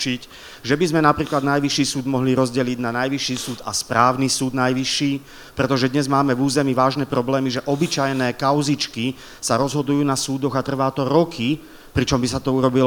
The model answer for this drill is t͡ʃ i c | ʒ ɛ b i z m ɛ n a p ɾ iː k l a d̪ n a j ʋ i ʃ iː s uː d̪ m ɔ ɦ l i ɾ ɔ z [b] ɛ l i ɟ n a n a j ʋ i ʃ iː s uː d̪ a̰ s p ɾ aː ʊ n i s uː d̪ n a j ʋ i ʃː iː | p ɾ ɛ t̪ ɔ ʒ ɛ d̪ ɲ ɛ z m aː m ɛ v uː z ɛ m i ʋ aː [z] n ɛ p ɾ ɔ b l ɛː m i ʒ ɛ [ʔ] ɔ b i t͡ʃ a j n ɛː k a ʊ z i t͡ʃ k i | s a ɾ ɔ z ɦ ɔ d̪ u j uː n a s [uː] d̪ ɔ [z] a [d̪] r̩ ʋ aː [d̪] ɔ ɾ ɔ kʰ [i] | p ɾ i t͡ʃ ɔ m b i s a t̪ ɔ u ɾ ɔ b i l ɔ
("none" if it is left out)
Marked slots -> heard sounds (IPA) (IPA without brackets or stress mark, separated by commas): ɟ, ʒ, ʔ, uː, ɣ, t̪, t̪, i